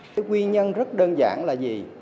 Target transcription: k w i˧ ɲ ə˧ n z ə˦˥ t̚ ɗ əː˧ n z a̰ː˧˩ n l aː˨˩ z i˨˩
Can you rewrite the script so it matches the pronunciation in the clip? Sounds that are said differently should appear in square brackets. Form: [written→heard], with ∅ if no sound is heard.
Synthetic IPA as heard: k w i˧ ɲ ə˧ n z ə˦˥ t̚ ɗ əː˧ n z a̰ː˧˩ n l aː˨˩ z i˨˩